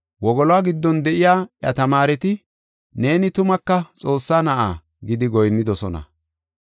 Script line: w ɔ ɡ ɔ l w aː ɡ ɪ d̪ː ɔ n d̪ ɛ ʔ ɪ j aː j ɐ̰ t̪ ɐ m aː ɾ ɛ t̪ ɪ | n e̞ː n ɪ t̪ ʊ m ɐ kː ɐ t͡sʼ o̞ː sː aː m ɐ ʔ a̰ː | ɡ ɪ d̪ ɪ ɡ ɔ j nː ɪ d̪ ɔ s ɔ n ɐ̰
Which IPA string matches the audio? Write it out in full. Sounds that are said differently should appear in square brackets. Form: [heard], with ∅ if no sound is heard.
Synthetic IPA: w ɔ ɡ ɔ l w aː ɡ ɪ d̪ː ɔ n d̪ ɛ ʔ ɪ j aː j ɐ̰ t̪ ɐ m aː ɾ ɛ t̪ ɪ | n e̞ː n ɪ t̪ ʊ m ɐ kː ɐ t͡sʼ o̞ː sː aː [n] ɐ ʔ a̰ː | ɡ ɪ d̪ ɪ ɡ ɔ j nː ɪ d̪ ɔ s ɔ n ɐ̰

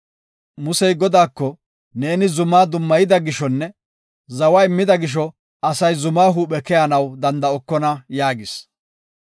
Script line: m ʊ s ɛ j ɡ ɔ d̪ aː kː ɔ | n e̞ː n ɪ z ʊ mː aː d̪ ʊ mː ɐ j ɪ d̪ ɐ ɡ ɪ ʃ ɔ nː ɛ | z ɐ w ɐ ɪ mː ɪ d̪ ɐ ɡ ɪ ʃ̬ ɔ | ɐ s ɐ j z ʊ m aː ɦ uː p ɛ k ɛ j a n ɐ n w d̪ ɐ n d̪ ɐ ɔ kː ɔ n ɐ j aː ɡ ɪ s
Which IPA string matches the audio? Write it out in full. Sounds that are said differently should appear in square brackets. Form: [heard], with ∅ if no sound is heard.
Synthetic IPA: m ʊ s ɛ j ɡ ɔ d̪ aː kː ɔ | n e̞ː n ɪ z ʊ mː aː d̪ ʊ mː ɐ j ɪ d̪ ɐ ɡ ɪ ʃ ɔ nː ɛ | z ɐ w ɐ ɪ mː ɪ d̪ ɐ ɡ ɪ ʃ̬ ɔ | ɐ s ɐ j z ʊ m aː ɦ uː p ɛ k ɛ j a n ɐ [∅] w d̪ ɐ n d̪ ɐ ɔ kː ɔ n ɐ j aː ɡ ɪ s

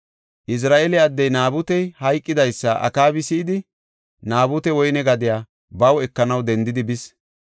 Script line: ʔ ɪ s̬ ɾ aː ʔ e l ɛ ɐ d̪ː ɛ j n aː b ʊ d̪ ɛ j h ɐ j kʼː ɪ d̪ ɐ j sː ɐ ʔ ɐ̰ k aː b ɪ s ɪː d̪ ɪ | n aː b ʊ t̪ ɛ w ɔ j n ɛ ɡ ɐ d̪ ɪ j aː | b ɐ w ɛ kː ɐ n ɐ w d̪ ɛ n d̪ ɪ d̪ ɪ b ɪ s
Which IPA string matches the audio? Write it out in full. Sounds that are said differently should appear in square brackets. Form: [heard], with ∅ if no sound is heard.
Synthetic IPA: ʔ ɪ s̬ ɾ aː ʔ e l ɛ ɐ d̪ː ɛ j n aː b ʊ [t̪] ɛ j h ɐ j kʼː ɪ d̪ ɐ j sː ɐ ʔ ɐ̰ k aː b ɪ s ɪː d̪ ɪ | n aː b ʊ t̪ ɛ w ɔ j n ɛ ɡ ɐ d̪ ɪ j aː | b ɐ w ɛ kː ɐ n ɐ w d̪ ɛ n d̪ ɪ d̪ ɪ b ɪ s

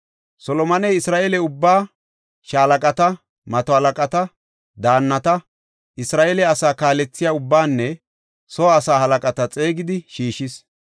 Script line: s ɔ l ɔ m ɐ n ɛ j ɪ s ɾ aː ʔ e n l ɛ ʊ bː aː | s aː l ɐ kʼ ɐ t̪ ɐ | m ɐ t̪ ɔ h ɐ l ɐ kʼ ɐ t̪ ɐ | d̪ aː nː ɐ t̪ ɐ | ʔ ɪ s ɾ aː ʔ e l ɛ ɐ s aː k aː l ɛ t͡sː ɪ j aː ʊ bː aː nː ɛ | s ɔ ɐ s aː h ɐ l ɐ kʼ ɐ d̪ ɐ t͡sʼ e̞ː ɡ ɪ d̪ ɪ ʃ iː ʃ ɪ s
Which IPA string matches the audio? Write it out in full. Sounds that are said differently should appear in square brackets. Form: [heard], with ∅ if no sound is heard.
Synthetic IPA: s ɔ l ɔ m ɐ n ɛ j ɪ s ɾ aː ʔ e [∅] l ɛ ʊ bː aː | [ʃ] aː l ɐ kʼ ɐ t̪ ɐ | m ɐ t̪ ɔ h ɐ l ɐ kʼ ɐ t̪ ɐ | d̪ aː nː ɐ t̪ ɐ | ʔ ɪ s ɾ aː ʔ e l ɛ ɐ s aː k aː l ɛ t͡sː ɪ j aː ʊ bː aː nː ɛ | s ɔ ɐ s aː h ɐ l ɐ kʼ ɐ [t̪] ɐ t͡sʼ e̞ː ɡ ɪ d̪ ɪ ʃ iː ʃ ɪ s

